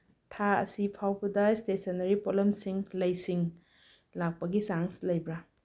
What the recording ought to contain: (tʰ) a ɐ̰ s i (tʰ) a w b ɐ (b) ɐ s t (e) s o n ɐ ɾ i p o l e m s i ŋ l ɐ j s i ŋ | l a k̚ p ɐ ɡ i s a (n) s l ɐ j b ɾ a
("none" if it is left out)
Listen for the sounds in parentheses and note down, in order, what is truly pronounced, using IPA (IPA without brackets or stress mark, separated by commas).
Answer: tʰ, pʰ, d, e, ŋ